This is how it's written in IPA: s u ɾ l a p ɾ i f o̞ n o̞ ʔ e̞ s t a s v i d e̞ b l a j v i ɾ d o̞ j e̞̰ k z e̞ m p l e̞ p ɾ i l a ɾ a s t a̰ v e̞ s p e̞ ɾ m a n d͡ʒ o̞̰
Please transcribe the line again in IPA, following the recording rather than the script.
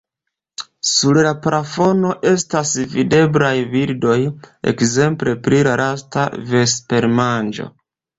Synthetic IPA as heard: s u ɾ l a p ɾ a f o̞ n o̞ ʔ e̞ s t a s v i d e̞ b l a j v i ɾ d o̞ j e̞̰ k z e̞ m p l e̞ p ɾ i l a ɾ a s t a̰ v e̞ s p e̞ ɾ m a n d͡ʒ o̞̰